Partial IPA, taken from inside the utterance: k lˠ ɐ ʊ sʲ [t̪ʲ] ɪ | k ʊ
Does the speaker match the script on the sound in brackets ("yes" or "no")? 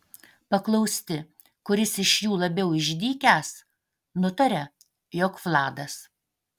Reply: yes